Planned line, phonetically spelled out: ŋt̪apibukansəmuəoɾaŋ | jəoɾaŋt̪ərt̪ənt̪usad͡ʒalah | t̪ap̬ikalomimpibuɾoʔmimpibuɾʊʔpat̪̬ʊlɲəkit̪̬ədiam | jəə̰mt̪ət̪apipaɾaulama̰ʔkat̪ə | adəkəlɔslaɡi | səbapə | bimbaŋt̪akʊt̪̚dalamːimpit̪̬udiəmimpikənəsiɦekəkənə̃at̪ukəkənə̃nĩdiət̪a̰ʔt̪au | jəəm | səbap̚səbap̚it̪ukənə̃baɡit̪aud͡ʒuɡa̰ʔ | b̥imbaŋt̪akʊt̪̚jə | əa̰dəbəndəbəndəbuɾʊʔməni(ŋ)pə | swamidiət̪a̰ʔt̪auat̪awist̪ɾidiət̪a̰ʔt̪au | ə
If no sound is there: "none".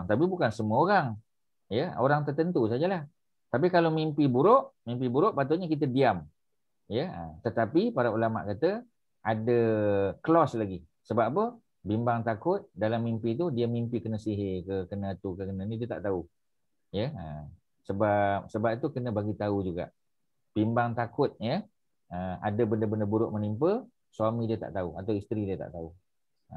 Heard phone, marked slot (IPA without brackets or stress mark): m